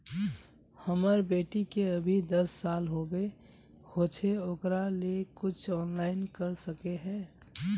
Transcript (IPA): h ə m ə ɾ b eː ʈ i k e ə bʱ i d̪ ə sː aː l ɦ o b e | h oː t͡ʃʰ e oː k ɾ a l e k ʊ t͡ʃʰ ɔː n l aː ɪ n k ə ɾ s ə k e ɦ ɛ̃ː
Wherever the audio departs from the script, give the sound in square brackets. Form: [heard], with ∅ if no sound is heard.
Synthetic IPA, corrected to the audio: h ə m ə ɾ b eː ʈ i k e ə bʱ i d̪ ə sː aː l ɦ o b e | h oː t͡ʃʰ e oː k ɾ a l e k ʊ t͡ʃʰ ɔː n l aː ɪ n k ə ɾ s ə k e ɦ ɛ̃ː